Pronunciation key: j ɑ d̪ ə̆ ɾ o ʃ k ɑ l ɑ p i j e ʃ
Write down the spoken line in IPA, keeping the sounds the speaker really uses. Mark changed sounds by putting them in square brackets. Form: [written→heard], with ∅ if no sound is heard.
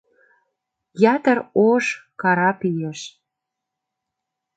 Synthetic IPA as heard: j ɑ [d̪→t̪] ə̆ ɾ o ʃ k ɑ [l→ɾ] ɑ p i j e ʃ